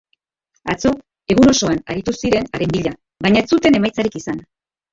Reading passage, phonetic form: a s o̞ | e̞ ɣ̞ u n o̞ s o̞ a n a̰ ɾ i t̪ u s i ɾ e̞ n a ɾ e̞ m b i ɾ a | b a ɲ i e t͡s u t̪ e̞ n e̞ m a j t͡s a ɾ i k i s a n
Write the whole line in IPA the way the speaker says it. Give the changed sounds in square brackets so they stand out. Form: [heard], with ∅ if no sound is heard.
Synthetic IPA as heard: a [t͡s] o̞ | e̞ ɣ̞ u n o̞ s o̞ a n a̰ ɾ i t̪ u s i ɾ e̞ n a ɾ e̞ m b i [ʎ] a | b a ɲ [a] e t͡s u t̪ e̞ n e̞ m a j t͡s a ɾ i k i s a n